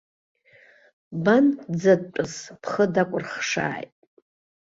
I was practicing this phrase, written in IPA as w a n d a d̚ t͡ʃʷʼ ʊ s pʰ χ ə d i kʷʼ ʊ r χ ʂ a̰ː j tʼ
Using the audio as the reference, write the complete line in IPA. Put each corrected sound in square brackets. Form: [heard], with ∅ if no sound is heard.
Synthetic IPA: [b] a n [d͡z] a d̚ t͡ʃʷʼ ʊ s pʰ χ ə d [a] kʷʼ ʊ r χ ʂ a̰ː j tʼ